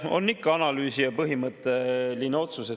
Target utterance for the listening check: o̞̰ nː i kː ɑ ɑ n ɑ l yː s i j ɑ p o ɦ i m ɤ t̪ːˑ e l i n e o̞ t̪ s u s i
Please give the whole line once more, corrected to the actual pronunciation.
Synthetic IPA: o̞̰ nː i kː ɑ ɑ n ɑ l yː s i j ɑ p ɤ ɦ i m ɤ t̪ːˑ e l i n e o̞ t̪ s u s e